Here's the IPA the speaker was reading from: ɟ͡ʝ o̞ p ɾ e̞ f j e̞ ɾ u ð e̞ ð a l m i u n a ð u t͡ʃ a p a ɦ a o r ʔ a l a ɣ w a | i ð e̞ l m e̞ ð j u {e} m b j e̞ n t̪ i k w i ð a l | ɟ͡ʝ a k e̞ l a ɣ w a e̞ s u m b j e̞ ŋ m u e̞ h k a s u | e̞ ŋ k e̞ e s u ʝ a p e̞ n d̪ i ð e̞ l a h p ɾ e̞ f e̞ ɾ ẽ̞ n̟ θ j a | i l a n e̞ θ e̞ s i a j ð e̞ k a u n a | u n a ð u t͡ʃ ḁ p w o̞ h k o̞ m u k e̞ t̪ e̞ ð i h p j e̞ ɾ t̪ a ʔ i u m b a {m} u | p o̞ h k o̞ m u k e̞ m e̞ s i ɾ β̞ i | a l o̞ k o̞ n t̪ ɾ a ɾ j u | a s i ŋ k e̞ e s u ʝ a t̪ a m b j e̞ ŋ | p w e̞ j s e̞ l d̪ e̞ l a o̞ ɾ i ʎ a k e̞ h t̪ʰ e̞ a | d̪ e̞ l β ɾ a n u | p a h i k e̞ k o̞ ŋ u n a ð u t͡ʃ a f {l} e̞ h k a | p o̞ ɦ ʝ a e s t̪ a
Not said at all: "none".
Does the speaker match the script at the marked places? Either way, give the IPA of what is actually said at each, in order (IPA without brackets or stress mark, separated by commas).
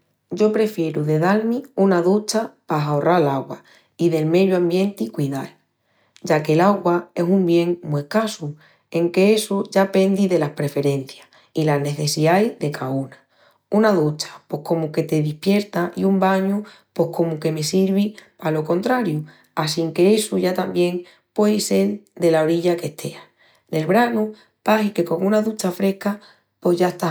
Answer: a, ɲ, ɾ